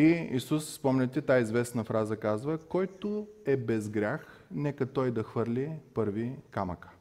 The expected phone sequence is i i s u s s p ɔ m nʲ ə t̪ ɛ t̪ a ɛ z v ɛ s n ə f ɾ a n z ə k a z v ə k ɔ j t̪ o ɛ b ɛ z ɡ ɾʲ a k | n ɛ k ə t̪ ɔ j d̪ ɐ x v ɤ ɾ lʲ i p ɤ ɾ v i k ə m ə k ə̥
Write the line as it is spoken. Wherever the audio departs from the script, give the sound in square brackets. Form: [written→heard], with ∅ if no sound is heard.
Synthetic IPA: i i s u s s p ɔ m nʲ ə t̪ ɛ t̪ a [ɛ→i] z v ɛ s n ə f ɾ a [n→∅] z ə k a z v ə k ɔ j t̪ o ɛ b ɛ z ɡ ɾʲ a [k→x] | n ɛ k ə t̪ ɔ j d̪ ɐ x v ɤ ɾ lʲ i p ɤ ɾ v i k [ə→a] m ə k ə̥